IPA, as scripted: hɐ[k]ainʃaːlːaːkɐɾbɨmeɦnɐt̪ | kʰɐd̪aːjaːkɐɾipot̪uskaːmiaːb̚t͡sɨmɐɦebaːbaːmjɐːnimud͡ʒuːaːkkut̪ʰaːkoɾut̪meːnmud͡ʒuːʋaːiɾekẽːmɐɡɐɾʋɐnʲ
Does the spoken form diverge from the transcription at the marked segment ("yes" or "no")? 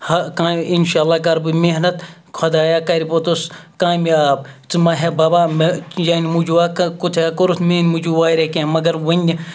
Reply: no